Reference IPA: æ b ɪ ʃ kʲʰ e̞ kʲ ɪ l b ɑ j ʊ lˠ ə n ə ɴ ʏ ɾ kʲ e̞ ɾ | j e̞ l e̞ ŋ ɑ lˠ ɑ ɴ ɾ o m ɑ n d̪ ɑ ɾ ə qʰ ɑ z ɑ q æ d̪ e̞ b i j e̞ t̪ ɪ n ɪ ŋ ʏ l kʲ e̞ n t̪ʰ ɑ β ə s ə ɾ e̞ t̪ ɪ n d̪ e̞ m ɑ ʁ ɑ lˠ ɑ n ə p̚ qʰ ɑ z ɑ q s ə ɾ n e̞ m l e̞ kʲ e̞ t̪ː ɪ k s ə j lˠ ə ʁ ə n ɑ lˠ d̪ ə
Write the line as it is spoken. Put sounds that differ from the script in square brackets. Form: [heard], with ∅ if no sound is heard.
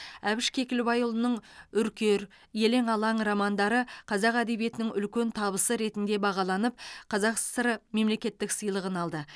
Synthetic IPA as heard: æ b ɪ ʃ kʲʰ e̞ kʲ ɪ l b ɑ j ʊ lˠ ə n ə ɴ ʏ ɾ kʲ e̞ ɾ | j e̞ l e̞ ŋ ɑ lˠ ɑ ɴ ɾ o m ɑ n d̪ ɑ ɾ ə qʰ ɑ z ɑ q æ d̪ e̞ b i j e̞ t̪ ɪ n ɪ ŋ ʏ l kʲ e̞ n t̪ʰ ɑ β ə s ə ɾ e̞ t̪ ɪ n d̪ e̞ [b] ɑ ʁ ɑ lˠ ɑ n ə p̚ qʰ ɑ z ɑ q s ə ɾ [m] e̞ m l e̞ kʲ e̞ t̪ː ɪ k s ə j lˠ ə ʁ ə n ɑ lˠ d̪ ə